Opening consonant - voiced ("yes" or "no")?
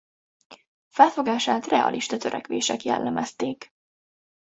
no